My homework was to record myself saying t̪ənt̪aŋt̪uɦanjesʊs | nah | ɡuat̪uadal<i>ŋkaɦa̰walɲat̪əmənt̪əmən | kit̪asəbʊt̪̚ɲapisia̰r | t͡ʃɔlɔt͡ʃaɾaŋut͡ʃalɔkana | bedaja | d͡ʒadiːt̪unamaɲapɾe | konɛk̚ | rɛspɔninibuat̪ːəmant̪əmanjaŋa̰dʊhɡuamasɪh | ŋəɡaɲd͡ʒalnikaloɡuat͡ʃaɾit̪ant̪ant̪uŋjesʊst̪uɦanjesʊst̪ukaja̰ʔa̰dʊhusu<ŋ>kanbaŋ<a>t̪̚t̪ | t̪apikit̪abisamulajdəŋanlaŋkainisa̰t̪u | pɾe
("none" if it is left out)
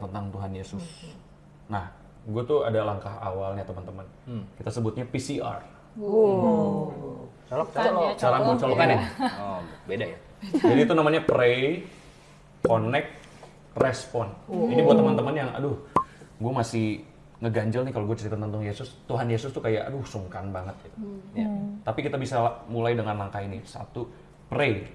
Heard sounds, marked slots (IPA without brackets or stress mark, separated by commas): a, ŋ, ə